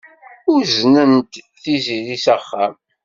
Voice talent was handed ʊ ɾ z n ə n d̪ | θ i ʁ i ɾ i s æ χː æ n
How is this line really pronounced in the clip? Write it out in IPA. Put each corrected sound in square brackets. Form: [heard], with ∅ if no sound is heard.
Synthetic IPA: ʊ ɾ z n ə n [t̪] | θ i [z] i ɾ i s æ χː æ [m]